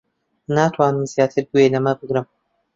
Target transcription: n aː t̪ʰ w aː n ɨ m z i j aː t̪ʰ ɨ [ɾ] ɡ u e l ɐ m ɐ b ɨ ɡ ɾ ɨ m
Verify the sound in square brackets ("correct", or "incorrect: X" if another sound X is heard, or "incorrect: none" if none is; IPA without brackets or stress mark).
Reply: correct